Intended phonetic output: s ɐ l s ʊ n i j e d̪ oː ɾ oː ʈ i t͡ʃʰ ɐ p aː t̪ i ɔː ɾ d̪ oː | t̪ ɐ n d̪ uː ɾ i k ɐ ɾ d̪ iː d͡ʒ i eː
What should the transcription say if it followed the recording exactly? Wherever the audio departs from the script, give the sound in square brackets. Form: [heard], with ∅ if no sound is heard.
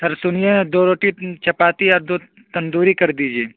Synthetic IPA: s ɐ [ɾ] s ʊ n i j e d̪ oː ɾ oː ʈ i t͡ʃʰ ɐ p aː t̪ i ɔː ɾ d̪ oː | t̪ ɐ n d̪ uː ɾ i k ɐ ɾ d̪ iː d͡ʒ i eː

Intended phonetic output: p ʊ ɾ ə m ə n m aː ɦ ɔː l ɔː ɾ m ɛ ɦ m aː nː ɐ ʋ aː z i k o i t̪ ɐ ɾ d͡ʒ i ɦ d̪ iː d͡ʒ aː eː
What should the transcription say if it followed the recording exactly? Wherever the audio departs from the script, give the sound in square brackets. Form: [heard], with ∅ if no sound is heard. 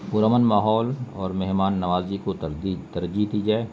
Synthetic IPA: p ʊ ɾ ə m ə n m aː ɦ ɔː l ɔː ɾ m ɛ ɦ m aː nː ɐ ʋ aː z i k o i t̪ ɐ ɾ d͡ʒ i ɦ d̪ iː d͡ʒ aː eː

